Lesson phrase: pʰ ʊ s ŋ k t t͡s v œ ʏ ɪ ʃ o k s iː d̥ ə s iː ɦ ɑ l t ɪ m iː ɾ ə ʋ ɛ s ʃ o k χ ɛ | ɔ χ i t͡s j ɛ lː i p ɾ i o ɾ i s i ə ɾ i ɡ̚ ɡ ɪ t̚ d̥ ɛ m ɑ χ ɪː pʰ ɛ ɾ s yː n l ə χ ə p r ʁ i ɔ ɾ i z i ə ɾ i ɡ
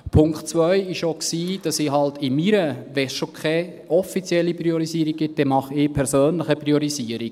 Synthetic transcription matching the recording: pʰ ʊ ŋ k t t͡s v œ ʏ ɪ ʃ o k s iː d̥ ɑ s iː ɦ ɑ l t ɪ m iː ɾ ə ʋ ɛ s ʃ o k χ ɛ | ɔ f i t͡s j ɛ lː i p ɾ i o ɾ i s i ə ɾ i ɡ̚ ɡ ɪ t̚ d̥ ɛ m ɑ χ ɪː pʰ ɛ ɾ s øː n l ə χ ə p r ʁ i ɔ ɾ i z i ə ɾ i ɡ